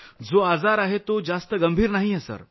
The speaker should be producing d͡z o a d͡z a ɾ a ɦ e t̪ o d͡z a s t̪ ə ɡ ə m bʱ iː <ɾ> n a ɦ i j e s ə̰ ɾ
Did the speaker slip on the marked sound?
no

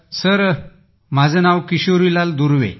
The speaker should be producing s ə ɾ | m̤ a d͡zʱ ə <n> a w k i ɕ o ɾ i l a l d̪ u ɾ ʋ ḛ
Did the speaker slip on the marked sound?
no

